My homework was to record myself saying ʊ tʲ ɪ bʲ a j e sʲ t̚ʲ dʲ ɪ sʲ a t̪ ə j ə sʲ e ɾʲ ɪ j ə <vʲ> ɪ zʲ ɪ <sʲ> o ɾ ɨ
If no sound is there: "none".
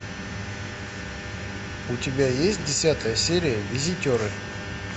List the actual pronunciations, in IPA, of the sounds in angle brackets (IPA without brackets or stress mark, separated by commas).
vʲ, tʲ